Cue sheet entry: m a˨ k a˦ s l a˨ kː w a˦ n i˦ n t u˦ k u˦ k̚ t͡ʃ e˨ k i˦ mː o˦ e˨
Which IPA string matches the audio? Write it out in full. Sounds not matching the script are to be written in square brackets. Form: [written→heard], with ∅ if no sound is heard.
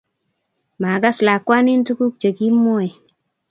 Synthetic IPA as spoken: m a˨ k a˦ s l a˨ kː w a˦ n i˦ n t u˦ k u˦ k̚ t͡ʃ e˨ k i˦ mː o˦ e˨